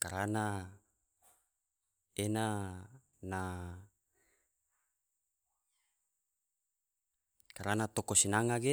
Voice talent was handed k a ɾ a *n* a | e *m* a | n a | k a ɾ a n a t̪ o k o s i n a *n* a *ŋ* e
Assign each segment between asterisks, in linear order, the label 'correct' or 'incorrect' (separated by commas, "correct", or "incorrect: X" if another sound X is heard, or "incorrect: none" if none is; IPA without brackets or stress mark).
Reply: correct, incorrect: n, incorrect: ŋ, incorrect: ɡ